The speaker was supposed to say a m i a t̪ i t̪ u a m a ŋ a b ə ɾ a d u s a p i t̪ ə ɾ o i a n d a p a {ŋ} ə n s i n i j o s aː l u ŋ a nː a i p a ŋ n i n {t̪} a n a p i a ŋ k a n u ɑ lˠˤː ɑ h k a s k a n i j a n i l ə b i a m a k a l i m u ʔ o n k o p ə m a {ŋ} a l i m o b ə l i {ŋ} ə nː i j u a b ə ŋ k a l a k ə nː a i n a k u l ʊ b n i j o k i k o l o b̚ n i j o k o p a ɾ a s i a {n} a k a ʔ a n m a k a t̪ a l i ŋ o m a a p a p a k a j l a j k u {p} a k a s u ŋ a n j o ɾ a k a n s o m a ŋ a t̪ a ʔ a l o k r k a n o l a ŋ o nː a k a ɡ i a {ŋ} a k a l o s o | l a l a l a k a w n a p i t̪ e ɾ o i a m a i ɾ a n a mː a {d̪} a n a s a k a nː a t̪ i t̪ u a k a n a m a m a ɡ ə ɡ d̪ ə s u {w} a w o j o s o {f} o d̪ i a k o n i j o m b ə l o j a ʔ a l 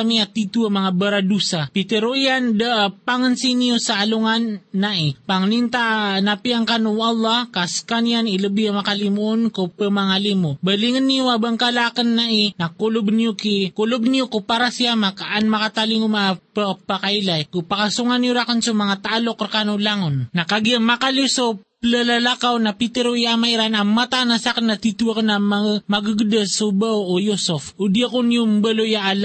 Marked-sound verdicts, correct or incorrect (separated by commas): correct, correct, correct, correct, incorrect, correct, incorrect, incorrect, incorrect, correct